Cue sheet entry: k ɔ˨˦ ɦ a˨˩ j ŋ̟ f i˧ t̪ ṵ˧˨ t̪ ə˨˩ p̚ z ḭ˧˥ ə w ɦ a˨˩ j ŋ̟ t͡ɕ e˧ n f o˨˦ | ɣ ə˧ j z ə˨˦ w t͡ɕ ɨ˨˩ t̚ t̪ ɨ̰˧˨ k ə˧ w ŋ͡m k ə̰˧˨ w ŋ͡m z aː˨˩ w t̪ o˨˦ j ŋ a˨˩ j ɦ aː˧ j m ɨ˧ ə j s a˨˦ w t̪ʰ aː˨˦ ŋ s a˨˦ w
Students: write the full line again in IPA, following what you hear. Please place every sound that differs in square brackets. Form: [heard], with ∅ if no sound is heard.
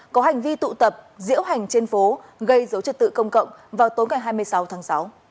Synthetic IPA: k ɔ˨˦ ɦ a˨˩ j ŋ̟ [v] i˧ t̪ ṵ˧˨ t̪ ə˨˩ p̚ z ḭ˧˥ ə w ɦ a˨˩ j ŋ̟ t͡ɕ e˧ n f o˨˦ | ɣ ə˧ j z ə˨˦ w t͡ɕ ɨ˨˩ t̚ t̪ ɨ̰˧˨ k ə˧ w ŋ͡m k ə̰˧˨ w ŋ͡m [v] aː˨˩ w t̪ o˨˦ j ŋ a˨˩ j ɦ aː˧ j m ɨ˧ ə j s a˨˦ w t̪ʰ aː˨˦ ŋ s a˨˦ w

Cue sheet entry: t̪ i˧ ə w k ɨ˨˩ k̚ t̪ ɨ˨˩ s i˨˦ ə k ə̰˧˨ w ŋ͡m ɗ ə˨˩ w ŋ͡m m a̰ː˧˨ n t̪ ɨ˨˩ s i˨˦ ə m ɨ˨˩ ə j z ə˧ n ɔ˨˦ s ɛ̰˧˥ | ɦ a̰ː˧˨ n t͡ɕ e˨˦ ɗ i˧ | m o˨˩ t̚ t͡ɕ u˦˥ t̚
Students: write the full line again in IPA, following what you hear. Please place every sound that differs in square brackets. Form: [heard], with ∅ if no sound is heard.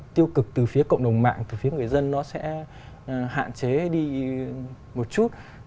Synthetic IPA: t̪ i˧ ə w k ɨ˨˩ k̚ t̪ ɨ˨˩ [f] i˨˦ ə k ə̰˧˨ w ŋ͡m ɗ ə˨˩ w ŋ͡m m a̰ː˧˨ [ŋ] t̪ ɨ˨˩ [f] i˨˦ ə [ŋ] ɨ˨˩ ə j z ə˧ [nː] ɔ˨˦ s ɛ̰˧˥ | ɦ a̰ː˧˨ n t͡ɕ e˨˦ ɗ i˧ | m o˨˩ t̚ t͡ɕ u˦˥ t̚

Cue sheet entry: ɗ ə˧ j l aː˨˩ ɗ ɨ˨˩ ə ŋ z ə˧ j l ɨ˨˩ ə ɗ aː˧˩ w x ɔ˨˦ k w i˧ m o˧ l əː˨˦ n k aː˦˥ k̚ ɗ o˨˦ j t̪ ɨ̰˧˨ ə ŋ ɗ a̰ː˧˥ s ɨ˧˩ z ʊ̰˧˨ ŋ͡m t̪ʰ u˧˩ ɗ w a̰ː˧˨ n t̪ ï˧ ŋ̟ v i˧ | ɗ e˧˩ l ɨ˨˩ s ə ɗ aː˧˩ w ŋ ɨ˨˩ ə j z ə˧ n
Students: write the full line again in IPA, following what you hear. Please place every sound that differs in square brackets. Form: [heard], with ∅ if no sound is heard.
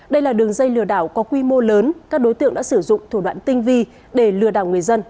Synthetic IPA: ɗ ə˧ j l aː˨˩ ɗ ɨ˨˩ ə ŋ z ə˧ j l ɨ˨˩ ə ɗ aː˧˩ w [k] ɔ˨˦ k w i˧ m o˧ l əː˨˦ n k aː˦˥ k̚ ɗ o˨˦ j t̪ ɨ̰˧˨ ə ŋ ɗ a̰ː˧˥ s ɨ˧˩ z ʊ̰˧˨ ŋ͡m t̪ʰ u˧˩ ɗ w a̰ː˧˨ n t̪ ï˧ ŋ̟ v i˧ | ɗ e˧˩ l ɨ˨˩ [∅] ə ɗ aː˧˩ w ŋ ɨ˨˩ ə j z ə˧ n

